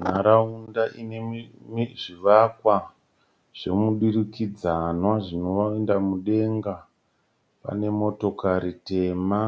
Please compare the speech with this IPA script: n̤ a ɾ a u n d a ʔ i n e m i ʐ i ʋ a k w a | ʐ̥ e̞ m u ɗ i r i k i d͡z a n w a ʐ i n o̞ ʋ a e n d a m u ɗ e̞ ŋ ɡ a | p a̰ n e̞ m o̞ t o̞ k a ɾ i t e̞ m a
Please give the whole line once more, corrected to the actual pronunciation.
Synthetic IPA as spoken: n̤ a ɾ a u n d a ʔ i n e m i ʐ i ʋ a k w a | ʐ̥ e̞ m u ɗ i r i k i d͡z a n w a ʐ i n o̞ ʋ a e n d a m u ɗ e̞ ŋ ɡ a | p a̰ n e̞ m o̞ t o̞ k a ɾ i t e̞ m a